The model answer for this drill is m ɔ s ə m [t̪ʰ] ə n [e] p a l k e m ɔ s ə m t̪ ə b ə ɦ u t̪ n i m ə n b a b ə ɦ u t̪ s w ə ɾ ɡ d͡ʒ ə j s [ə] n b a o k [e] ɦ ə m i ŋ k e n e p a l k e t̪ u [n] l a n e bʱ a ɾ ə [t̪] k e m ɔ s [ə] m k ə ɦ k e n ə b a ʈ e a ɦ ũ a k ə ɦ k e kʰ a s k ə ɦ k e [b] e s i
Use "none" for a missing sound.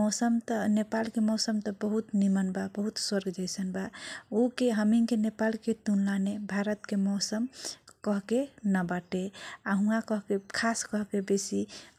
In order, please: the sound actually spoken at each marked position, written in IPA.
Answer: t̪, e, ə, e, n, t̪, ə, b

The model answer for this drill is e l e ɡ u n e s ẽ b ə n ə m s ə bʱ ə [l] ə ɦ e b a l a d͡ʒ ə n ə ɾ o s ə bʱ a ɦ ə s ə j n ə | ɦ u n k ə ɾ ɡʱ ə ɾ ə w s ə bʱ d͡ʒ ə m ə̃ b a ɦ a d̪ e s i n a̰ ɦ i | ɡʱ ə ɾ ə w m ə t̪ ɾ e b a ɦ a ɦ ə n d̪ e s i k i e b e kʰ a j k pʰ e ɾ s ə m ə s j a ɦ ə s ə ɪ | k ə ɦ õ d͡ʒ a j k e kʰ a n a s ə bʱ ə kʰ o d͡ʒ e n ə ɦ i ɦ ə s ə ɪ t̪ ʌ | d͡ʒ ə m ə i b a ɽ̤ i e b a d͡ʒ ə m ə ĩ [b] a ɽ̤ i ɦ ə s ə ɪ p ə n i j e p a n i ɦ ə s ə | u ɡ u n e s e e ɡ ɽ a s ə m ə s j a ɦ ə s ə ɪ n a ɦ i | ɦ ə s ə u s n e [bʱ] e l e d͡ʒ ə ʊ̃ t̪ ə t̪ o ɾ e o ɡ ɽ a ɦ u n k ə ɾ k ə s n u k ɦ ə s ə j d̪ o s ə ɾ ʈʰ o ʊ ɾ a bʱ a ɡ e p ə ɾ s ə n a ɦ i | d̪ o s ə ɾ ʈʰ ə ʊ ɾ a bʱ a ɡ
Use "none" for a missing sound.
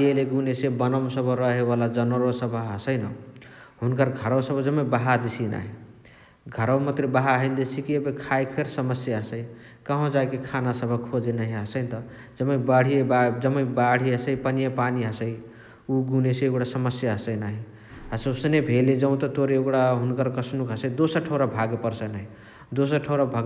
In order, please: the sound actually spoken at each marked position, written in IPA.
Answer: ɾ, b, bʱ

